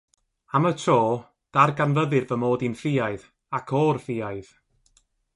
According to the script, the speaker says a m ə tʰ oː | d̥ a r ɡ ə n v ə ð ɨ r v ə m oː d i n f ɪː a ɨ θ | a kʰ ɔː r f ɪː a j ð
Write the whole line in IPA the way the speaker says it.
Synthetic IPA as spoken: a m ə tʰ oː | d̥ a r ɡ a n v ə ð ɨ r v ə m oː d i n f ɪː a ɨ ð | a kʰ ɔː r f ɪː a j ð